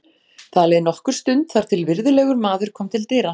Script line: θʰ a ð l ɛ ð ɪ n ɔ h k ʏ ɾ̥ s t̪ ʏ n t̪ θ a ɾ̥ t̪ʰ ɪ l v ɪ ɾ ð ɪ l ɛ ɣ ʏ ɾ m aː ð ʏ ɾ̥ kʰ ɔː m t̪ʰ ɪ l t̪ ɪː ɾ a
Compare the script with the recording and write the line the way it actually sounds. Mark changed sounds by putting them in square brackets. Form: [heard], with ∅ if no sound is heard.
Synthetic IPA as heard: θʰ a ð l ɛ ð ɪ n ɔ h k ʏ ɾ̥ s t̪ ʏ n t̪ θ a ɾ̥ t̪ʰ ɪ l v ɪ ɾ ð ɪ l ɛ ɣ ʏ ɾ m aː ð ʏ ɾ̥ kʰ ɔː m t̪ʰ ɪ l t̪ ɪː ɾ a